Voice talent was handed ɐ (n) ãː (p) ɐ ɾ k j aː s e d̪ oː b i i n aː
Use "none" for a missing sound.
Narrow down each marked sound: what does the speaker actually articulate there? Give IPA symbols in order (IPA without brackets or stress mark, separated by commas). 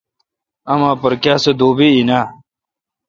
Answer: m, p